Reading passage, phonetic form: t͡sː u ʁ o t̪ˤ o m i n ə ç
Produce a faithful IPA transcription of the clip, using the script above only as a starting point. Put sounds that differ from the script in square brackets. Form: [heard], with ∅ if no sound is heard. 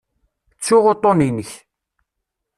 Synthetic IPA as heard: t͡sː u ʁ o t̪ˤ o [n] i n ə ç